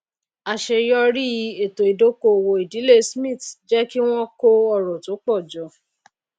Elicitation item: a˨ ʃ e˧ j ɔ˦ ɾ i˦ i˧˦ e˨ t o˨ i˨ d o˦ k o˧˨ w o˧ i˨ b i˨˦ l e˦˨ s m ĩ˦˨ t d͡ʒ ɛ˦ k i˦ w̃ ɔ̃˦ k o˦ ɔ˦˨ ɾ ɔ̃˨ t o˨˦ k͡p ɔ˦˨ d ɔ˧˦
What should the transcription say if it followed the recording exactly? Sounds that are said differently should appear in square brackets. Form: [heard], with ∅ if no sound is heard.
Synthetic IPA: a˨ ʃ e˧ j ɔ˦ ɾ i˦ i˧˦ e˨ t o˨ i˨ d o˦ k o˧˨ w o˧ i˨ [d] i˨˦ l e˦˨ s m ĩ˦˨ t d͡ʒ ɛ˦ k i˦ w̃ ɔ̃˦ k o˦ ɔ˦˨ ɾ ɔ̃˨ t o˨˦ k͡p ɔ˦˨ [d͡ʒ] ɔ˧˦

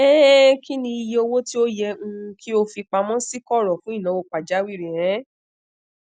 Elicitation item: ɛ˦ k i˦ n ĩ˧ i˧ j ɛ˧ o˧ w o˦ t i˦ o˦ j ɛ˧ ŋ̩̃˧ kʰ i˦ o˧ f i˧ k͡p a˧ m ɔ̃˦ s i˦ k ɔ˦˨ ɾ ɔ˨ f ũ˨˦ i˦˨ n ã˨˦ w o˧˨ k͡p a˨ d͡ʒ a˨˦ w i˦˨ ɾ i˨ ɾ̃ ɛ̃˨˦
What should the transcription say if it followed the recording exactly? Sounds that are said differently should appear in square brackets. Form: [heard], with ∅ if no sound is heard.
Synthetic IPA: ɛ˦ k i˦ n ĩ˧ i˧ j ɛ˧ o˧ w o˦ t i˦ o˦ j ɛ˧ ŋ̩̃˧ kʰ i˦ o˧ f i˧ k͡p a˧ m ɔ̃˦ s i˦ k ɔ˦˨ ɾ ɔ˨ f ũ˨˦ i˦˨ n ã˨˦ w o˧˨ k͡p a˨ d͡ʒ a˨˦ w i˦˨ ɾ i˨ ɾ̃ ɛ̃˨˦

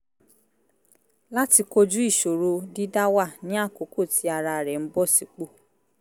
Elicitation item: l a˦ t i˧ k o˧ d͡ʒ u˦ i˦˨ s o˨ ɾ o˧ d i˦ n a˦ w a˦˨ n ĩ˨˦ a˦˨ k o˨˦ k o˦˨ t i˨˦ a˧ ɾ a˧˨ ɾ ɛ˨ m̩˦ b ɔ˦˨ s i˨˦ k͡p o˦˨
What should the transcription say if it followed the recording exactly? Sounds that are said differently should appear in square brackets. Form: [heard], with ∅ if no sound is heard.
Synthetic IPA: l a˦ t i˧ k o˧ d͡ʒ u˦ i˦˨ [ʃ] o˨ ɾ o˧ d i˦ [d] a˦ w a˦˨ n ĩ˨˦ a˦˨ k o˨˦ k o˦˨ t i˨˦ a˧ ɾ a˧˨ ɾ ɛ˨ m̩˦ b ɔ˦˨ s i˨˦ k͡p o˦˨

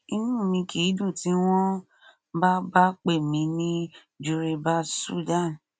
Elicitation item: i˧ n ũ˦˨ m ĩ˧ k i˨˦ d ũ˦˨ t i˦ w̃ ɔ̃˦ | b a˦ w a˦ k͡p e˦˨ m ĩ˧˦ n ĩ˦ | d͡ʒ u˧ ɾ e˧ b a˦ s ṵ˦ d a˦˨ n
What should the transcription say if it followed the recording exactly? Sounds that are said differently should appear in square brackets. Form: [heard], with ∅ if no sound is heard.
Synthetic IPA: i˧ n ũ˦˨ m ĩ˧ k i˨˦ d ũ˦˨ t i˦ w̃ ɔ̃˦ | b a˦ [b] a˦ k͡p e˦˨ m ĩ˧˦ n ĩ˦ | d͡ʒ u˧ ɾ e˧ b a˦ s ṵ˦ d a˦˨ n

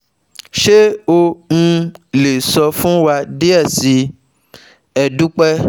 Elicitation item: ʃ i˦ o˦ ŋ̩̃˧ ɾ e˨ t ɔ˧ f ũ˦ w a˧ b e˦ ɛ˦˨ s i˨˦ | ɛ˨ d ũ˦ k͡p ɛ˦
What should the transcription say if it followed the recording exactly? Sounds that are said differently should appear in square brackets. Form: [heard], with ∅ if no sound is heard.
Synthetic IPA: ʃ [e˦] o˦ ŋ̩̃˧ [l] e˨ [s] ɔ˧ f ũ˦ w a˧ [d] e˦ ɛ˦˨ s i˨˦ | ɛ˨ d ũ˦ k͡p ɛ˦

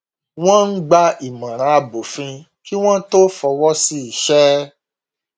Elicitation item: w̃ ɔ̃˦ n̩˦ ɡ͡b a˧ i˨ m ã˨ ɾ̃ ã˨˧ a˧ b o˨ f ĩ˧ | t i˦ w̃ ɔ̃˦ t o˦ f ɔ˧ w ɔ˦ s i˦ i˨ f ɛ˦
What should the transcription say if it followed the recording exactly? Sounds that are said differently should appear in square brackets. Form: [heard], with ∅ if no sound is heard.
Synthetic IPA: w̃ ɔ̃˦ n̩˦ ɡ͡b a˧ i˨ m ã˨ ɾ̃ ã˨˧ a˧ b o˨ f ĩ˧ | [k] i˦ w̃ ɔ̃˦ t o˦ f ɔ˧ w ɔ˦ s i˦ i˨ [ʃ] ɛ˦

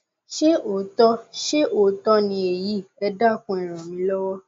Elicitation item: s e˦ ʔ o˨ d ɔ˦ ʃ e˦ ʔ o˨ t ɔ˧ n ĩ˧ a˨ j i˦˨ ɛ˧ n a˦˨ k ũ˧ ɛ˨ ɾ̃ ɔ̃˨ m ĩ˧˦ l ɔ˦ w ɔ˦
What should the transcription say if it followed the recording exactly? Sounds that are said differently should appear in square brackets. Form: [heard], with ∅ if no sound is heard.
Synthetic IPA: [ʃ] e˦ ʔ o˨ [t] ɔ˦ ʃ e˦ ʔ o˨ t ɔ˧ n ĩ˧ [e˨] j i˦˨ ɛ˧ [d] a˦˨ k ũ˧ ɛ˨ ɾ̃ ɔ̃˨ m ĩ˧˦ l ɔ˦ w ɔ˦

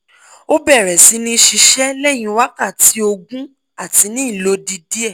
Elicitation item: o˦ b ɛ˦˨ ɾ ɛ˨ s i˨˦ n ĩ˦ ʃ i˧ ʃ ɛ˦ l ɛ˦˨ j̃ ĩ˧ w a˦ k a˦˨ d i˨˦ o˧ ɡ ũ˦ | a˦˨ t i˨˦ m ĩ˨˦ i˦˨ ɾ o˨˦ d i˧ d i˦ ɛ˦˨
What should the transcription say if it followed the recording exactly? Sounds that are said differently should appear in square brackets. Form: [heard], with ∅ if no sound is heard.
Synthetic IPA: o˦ b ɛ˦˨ ɾ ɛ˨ s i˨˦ n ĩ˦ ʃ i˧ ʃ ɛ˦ l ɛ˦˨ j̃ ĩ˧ w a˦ k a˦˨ [t] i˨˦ o˧ ɡ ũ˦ | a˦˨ t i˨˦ [n] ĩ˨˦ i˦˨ [l] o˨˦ d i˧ d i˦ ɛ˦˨

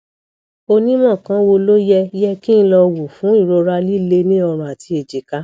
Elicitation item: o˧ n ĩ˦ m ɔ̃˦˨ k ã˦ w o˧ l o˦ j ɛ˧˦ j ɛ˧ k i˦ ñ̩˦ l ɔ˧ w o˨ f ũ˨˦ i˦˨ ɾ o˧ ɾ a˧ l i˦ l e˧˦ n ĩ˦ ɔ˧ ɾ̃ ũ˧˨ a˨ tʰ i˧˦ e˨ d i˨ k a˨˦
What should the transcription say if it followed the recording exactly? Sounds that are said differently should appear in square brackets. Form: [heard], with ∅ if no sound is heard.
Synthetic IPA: o˧ n ĩ˦ m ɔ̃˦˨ k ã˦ w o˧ l o˦ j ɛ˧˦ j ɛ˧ k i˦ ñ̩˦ l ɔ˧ w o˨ f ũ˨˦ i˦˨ ɾ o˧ ɾ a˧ l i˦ l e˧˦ n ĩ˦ ɔ˧ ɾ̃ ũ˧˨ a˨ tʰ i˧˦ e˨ [d͡ʒ] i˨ k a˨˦

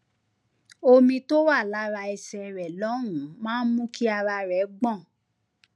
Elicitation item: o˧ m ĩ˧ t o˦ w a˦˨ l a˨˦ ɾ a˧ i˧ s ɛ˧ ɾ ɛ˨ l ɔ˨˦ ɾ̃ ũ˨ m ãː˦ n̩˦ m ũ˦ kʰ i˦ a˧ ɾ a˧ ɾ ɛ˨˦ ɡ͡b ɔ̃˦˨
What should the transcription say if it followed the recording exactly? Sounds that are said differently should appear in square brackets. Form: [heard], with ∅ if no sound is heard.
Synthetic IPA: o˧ m ĩ˧ t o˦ w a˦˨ l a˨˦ ɾ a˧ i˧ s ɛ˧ ɾ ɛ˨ l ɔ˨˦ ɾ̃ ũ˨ m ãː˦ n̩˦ m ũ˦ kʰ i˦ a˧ ɾ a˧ ɾ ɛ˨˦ ɡ͡b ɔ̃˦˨

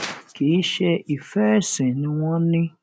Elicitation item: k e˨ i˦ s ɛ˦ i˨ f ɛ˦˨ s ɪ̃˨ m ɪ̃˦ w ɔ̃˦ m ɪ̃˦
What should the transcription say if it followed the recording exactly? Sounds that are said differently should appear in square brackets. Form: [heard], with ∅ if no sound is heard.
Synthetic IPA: k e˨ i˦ [ʃ] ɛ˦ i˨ f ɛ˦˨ s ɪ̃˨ [n] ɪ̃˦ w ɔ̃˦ [n] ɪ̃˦

